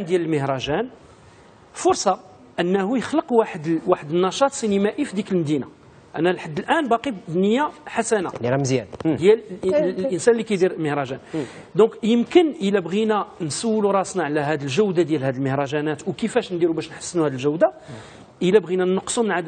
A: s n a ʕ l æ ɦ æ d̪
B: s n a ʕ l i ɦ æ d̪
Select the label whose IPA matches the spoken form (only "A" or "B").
A